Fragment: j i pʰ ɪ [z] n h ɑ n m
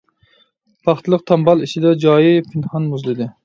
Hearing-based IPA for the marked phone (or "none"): none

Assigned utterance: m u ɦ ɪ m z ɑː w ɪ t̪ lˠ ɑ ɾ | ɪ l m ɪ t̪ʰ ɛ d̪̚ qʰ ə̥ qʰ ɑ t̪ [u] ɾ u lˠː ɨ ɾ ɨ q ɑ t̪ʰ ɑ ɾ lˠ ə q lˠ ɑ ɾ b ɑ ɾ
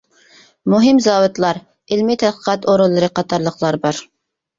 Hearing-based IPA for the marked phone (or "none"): o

